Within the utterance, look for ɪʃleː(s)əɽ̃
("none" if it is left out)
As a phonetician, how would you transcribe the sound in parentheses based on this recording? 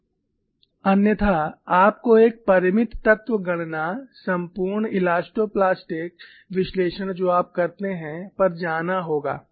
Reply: ʃ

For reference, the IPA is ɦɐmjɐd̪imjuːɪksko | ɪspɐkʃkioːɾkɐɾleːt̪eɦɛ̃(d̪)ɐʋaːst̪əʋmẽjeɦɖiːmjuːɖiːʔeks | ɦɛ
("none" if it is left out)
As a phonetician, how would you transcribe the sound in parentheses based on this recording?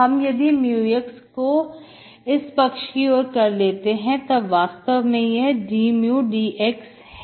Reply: t̪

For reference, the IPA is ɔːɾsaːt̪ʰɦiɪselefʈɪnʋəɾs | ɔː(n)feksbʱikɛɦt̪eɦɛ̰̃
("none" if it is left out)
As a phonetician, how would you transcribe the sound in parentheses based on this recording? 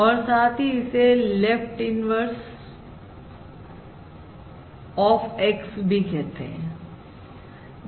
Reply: none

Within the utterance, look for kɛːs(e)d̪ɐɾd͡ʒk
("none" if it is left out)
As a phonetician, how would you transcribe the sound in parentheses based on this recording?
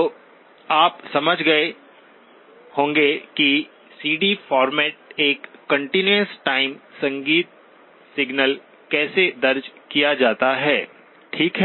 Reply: e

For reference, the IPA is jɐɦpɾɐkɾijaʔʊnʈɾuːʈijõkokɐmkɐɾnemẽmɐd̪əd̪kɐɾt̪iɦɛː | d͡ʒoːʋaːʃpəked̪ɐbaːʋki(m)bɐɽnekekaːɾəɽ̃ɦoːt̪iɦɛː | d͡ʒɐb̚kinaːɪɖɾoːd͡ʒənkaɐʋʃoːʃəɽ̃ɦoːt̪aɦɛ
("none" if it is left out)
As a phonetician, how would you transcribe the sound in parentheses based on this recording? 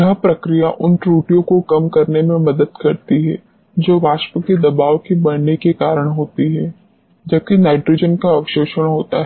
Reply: none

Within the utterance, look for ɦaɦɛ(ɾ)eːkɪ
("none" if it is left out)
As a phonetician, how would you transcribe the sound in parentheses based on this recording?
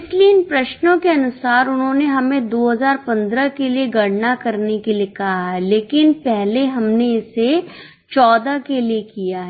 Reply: l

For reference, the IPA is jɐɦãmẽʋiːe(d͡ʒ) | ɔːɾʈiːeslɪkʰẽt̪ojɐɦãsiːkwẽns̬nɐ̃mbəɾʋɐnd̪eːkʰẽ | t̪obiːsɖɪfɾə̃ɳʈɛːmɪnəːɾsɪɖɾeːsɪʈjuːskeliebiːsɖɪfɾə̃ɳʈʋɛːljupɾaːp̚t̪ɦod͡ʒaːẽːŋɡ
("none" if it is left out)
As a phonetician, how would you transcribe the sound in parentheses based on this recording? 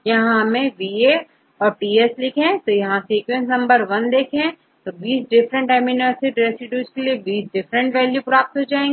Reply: none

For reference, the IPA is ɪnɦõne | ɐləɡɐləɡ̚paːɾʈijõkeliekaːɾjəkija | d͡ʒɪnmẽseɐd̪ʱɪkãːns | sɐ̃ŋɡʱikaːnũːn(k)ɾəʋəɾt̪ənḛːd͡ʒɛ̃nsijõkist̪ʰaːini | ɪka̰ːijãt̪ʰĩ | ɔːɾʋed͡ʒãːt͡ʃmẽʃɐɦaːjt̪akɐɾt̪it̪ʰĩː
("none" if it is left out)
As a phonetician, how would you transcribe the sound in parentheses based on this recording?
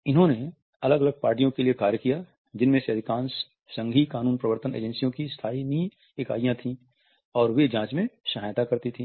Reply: p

